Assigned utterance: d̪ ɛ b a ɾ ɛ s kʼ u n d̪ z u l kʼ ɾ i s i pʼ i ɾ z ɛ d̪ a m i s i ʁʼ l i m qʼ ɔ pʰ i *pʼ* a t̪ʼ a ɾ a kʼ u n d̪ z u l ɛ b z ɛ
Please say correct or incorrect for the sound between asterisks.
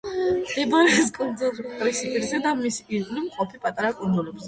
correct